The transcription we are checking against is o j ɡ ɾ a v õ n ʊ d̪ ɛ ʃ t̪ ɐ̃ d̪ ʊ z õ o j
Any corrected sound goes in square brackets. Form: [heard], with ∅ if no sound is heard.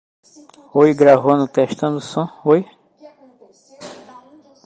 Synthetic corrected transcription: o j ɡ ɾ a v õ n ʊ [t̪] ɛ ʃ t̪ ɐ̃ d̪ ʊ [s] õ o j